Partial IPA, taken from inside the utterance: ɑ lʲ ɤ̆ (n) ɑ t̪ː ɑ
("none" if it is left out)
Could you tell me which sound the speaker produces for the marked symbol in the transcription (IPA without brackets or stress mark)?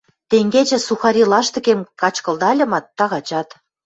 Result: m